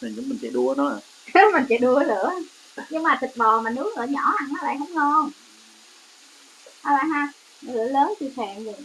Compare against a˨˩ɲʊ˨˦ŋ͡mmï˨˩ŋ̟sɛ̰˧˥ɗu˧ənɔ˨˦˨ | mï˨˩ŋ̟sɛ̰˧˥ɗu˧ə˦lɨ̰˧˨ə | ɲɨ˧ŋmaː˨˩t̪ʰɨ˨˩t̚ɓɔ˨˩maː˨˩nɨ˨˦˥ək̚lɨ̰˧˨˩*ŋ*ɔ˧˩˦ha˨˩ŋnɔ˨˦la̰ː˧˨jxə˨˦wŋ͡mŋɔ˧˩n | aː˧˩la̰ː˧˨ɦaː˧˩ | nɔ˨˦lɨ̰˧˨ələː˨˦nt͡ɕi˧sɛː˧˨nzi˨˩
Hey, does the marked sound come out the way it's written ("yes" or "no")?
no